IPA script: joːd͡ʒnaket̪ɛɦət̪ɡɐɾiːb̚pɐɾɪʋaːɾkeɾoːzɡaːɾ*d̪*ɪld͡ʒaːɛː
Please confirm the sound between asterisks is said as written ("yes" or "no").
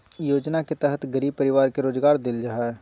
yes